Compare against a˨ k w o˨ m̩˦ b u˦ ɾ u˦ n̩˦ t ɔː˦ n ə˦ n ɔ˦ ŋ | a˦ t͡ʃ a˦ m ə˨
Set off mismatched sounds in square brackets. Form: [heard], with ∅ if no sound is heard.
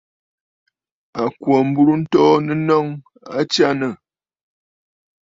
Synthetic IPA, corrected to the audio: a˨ k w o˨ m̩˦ b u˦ ɾ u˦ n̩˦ t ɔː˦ n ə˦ n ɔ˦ ŋ | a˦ t͡ʃ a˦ [n] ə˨